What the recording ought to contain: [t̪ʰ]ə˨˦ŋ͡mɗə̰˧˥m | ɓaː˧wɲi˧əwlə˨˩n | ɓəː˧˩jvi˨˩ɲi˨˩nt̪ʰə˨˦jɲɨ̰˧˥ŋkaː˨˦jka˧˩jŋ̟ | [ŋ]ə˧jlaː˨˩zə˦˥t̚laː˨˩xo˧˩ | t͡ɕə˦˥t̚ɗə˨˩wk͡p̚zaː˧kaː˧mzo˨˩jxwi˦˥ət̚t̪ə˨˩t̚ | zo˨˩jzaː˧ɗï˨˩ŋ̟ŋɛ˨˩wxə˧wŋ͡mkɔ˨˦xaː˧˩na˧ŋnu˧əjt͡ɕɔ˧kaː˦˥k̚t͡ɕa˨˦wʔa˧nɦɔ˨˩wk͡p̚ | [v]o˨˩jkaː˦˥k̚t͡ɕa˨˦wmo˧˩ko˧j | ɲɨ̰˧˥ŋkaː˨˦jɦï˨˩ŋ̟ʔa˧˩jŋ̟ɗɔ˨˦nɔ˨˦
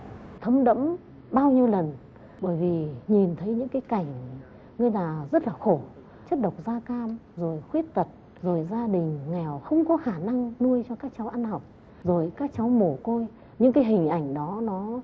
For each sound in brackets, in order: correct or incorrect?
correct, correct, incorrect: z

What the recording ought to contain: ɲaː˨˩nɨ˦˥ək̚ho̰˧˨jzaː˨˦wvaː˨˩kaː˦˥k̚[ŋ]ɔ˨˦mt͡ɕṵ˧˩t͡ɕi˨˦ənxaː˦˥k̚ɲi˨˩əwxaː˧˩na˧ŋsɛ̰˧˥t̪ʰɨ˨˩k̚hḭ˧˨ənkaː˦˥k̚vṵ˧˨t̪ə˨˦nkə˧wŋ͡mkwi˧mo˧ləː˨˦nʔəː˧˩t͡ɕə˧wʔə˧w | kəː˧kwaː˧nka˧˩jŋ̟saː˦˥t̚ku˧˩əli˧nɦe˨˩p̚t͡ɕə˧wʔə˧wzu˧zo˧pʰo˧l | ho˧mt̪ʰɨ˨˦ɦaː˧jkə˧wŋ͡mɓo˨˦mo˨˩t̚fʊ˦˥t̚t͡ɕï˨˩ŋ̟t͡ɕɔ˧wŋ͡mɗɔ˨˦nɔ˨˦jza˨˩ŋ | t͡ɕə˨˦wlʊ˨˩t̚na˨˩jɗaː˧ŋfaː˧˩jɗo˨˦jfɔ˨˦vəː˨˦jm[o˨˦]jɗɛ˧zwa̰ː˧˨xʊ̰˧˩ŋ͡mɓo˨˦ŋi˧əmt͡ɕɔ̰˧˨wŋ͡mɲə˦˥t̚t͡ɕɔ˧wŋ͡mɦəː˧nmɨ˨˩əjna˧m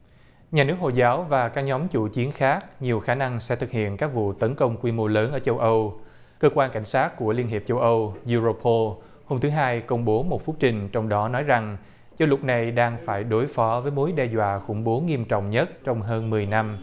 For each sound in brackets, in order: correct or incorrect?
incorrect: ɲ, correct

